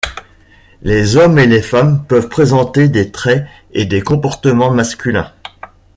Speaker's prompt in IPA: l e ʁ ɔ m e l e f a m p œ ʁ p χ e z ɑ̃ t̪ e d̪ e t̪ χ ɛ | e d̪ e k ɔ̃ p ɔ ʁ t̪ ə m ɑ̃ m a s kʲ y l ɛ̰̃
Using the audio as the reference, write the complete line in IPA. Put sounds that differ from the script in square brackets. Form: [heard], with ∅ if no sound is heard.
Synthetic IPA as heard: l e [z] ɔ m e l e f a m p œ [v] p χ e z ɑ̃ t̪ e d̪ e t̪ χ ɛ | e d̪ e k ɔ̃ p ɔ ʁ t̪ ə m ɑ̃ m a s kʲ y l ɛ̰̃